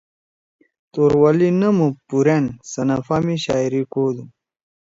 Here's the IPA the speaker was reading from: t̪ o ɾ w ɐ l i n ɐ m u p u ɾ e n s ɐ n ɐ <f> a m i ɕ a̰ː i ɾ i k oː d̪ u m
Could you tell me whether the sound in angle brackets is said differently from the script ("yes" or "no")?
no